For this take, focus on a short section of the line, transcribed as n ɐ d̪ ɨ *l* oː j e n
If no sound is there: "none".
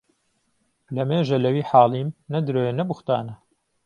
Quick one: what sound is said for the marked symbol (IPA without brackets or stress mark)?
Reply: ɾ